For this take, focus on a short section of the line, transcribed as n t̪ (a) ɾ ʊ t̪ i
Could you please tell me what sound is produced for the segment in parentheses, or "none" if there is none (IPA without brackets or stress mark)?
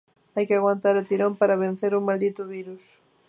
a